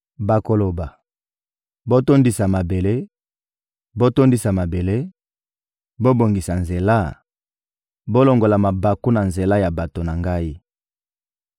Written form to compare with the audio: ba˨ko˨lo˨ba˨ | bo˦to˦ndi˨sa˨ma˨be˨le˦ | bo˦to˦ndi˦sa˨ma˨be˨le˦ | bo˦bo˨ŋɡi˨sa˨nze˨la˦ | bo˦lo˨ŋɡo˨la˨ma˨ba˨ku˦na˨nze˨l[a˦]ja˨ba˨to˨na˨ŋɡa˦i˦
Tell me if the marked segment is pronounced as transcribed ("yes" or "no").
yes